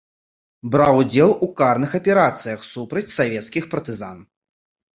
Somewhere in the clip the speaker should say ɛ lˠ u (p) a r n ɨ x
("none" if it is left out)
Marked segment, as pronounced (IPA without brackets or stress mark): k